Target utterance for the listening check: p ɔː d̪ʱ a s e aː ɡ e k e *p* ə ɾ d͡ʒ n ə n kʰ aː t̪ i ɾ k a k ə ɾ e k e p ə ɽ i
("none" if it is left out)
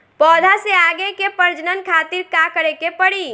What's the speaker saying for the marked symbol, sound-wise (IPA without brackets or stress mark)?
p